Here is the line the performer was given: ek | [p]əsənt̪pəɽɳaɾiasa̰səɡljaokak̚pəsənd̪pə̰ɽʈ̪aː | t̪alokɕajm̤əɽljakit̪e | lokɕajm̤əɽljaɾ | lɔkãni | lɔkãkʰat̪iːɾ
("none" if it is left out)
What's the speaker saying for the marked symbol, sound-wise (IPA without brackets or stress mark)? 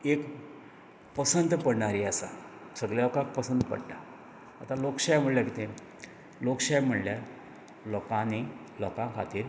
p